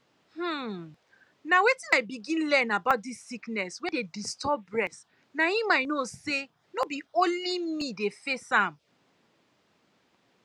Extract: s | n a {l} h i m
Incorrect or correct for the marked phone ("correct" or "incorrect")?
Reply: incorrect